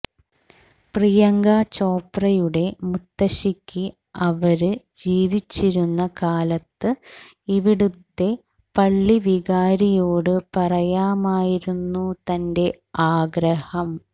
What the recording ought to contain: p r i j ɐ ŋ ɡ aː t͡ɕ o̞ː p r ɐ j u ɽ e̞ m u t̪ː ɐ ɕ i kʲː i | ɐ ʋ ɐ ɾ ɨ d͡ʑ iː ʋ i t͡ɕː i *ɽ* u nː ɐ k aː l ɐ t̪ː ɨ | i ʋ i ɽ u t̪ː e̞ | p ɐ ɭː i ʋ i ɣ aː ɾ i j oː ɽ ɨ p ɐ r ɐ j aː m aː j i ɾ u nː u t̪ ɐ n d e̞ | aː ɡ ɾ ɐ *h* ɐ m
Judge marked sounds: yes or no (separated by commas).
no, yes